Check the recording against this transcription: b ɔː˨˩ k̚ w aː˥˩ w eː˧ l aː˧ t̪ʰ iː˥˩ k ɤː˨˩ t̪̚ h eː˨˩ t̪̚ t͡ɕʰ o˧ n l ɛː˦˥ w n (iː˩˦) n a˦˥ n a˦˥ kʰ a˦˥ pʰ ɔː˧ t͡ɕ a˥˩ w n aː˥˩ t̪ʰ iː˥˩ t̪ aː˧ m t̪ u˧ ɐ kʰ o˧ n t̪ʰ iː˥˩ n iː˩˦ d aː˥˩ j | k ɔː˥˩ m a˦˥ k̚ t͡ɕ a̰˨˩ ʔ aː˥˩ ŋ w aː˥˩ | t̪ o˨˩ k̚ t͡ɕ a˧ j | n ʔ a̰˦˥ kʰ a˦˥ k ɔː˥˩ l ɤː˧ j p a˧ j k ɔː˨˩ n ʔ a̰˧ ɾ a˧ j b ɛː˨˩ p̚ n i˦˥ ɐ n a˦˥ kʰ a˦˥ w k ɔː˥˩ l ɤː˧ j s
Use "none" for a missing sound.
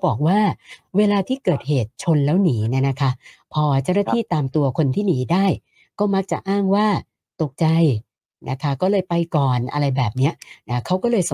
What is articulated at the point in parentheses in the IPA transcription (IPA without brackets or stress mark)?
iː˩˦